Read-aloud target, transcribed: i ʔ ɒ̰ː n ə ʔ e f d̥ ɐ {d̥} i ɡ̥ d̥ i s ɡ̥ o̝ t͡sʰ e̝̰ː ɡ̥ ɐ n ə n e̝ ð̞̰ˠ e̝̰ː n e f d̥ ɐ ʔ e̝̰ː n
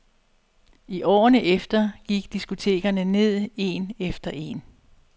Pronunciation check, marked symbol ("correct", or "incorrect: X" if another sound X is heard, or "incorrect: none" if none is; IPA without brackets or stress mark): incorrect: ɡ̥